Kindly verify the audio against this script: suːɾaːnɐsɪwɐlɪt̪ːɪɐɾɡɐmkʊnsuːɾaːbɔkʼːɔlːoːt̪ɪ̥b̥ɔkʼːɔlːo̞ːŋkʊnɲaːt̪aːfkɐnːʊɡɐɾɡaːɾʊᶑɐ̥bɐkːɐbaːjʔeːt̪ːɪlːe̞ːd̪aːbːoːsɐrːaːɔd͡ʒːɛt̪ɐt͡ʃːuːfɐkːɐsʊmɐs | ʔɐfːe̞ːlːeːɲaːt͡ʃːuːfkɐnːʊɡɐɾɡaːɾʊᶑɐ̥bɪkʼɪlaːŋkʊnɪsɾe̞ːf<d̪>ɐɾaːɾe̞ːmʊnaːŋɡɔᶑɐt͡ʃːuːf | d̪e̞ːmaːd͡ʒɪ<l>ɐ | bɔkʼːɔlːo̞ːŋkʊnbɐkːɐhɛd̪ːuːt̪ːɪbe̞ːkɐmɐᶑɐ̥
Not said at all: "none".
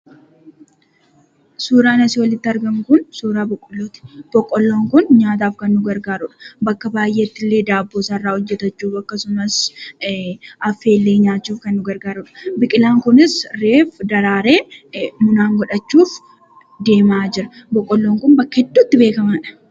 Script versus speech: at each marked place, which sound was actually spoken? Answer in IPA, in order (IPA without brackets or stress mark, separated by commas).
d̪, ɾ